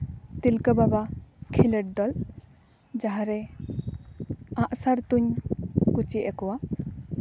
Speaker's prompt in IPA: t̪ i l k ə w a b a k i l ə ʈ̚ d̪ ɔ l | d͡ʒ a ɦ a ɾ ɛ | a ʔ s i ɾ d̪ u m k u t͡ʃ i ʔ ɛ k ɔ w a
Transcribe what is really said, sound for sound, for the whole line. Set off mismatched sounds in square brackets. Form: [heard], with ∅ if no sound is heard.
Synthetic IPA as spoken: t̪ i l k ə [b] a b a [kʰ] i l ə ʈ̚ d̪ ɔ l | d͡ʒ a ɦ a ɾ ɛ | a ʔ s [a] ɾ [t̪] u [ɲ] k u t͡ʃ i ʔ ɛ k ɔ w a